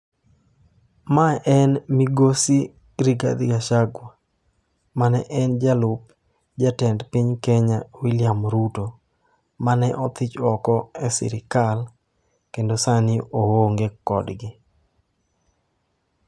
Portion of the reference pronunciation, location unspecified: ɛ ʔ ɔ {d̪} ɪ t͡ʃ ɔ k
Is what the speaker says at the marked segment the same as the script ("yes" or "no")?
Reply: no